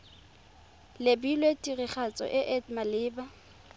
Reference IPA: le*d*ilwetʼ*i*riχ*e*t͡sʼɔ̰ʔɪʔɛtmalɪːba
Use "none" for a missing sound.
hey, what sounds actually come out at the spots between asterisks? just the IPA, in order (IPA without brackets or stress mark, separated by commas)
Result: b, i, a